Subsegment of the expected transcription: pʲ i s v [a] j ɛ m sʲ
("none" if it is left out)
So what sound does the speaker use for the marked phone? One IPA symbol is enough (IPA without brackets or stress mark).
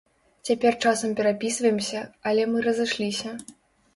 ɐ